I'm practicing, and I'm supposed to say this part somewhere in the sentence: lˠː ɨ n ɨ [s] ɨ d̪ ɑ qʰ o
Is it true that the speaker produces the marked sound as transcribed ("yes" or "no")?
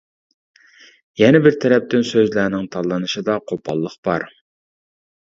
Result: no